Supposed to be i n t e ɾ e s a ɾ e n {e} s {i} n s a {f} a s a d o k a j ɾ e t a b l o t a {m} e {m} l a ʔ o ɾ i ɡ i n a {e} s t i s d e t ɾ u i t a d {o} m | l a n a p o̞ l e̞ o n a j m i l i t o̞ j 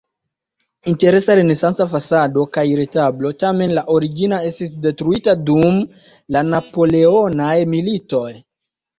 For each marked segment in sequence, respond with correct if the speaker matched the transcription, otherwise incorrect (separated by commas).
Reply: correct, incorrect, correct, correct, incorrect, correct, incorrect